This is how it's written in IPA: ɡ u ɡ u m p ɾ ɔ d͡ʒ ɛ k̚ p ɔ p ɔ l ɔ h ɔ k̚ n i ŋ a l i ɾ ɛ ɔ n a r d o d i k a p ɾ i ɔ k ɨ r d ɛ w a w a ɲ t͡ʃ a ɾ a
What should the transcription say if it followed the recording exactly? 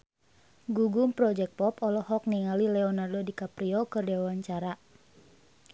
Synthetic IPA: ɡ u ɡ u m p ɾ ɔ d͡ʒ ɛ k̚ p ɔ p ɔ l ɔ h ɔ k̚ n i ŋ a l i l ɛ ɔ n a r d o d i k a p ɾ i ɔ k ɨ r d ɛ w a w a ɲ t͡ʃ a ɾ a